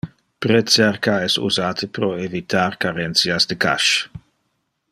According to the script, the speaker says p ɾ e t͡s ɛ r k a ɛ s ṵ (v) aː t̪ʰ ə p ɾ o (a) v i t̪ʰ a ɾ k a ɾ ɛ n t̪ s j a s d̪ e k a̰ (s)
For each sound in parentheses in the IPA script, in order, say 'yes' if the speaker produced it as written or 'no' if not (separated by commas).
no, no, no